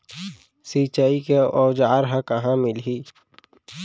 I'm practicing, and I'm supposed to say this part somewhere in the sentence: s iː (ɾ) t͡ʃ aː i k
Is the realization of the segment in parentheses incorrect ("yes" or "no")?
yes